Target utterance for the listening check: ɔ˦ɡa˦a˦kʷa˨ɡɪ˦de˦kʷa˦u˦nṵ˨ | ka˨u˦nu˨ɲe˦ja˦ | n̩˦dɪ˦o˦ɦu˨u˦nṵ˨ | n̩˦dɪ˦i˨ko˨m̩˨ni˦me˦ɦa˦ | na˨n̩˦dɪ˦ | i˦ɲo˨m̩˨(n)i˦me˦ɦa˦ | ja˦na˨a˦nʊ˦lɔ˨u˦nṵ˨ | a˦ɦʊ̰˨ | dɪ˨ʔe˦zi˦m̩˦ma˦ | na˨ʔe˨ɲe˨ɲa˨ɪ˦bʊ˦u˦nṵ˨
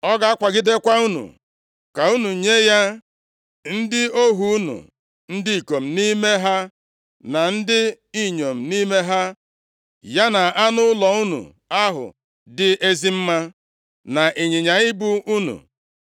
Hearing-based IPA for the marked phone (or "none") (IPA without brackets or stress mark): n